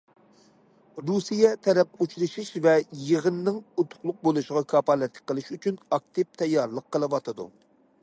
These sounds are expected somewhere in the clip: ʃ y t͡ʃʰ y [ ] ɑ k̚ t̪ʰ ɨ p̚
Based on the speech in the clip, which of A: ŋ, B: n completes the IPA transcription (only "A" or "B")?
B